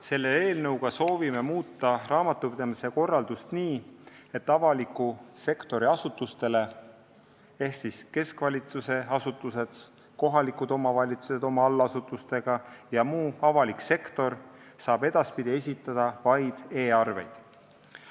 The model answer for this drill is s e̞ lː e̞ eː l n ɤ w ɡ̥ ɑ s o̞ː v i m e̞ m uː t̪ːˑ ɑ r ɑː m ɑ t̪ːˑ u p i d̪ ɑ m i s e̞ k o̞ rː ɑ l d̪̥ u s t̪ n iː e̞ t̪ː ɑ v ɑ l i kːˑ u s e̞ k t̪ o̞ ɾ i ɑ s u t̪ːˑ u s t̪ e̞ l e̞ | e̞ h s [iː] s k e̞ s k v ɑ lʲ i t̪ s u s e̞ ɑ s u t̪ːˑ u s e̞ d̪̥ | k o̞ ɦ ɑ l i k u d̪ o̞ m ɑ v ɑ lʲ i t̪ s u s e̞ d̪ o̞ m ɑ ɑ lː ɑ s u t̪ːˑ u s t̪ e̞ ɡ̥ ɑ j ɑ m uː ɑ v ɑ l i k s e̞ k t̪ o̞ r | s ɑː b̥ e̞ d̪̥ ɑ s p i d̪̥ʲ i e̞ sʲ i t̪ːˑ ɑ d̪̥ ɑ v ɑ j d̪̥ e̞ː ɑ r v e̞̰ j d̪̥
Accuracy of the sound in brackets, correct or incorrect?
incorrect